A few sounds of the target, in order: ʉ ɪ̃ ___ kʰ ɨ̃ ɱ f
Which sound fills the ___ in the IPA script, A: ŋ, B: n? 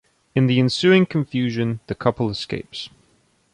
A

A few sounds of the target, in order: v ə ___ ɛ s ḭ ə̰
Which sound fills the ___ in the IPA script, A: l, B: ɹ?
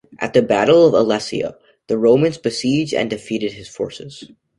A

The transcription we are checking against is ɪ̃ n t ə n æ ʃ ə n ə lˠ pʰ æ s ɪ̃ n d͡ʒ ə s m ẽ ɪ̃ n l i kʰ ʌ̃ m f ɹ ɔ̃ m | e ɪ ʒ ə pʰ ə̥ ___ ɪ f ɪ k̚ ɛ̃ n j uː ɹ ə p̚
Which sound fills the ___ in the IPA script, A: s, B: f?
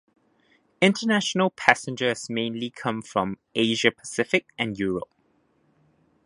A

